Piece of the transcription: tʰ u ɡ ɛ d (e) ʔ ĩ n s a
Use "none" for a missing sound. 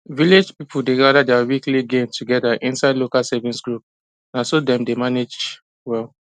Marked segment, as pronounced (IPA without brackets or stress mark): a